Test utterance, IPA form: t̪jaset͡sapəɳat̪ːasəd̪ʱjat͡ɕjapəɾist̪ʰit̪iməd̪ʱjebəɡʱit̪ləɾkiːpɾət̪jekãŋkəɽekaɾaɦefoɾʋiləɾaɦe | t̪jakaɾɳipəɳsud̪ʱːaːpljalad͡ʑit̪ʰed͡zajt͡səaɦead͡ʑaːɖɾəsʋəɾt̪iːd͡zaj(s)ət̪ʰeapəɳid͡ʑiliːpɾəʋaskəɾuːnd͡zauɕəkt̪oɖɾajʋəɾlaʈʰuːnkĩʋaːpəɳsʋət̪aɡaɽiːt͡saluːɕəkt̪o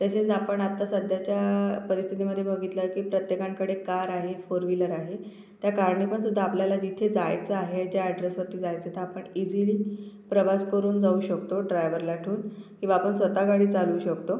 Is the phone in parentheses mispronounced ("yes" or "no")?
yes